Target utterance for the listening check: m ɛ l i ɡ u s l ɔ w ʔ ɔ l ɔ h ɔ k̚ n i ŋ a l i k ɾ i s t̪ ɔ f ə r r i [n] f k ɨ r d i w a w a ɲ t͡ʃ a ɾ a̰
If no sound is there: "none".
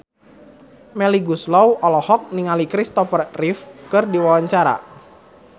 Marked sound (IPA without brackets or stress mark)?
none